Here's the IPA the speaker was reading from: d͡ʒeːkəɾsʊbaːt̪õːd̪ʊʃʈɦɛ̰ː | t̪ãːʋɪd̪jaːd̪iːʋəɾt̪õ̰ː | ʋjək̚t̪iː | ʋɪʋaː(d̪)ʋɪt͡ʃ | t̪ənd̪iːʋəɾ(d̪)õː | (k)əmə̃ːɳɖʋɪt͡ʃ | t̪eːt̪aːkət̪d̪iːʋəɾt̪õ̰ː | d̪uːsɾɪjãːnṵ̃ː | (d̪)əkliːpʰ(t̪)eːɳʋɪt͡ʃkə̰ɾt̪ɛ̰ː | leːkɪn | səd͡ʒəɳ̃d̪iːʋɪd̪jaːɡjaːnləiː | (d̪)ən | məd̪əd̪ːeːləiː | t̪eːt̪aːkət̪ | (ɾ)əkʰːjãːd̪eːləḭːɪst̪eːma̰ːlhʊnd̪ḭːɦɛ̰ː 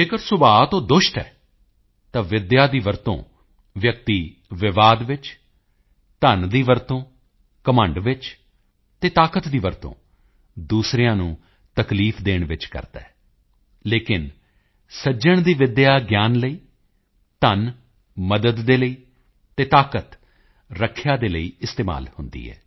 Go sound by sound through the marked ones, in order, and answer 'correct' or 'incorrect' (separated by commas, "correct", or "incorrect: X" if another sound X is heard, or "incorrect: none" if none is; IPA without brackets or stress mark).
correct, incorrect: t̪, correct, incorrect: t̪, incorrect: d̪, incorrect: t̪, correct